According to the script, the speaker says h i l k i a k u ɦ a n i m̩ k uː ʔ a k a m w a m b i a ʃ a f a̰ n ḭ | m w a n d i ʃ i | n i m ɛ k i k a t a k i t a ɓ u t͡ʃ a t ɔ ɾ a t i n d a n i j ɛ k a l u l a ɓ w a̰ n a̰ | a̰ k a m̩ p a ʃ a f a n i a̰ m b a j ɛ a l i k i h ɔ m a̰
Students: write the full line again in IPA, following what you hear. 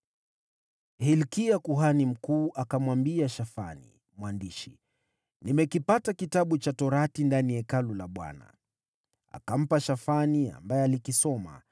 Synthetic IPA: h i l k i a k u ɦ a n i m̩ k uː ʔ a k a m w a m b i a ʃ a f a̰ n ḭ | m w a n d i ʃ i | n i m ɛ k i p a t a k i t a ɓ u t͡ʃ a t ɔ ɾ a t i n d a n i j ɛ k a l u l a ɓ w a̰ n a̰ | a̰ k a m̩ p a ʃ a f a n i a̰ m b a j ɛ a l i k i s ɔ m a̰